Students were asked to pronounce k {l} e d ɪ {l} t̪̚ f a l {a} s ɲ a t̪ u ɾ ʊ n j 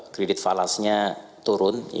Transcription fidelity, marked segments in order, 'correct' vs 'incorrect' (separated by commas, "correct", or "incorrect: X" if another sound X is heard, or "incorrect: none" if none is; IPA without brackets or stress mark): incorrect: ɾ, incorrect: none, correct